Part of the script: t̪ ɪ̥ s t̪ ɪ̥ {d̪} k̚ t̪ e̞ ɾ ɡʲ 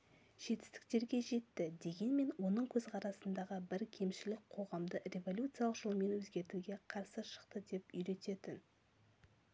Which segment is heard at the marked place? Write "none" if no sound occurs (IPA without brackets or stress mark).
none